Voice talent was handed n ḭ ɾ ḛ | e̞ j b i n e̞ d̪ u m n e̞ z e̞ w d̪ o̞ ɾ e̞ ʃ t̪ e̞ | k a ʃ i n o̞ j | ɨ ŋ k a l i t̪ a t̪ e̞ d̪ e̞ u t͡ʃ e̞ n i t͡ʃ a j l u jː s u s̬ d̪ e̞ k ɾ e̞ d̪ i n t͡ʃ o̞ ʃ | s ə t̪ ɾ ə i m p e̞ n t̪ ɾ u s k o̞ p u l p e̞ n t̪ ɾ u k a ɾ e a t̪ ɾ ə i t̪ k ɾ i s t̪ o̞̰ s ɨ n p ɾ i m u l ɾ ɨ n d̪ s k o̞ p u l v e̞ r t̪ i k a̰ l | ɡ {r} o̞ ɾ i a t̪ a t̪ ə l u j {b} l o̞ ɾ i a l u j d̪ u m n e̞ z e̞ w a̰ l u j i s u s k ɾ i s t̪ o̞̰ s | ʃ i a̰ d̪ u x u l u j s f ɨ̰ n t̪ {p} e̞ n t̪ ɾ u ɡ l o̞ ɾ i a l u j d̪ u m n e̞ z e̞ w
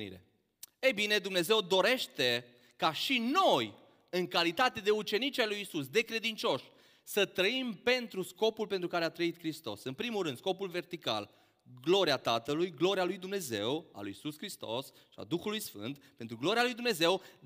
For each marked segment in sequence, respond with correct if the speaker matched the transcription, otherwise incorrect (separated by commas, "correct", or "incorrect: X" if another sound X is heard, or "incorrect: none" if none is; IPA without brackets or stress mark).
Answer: incorrect: l, incorrect: ɡ, correct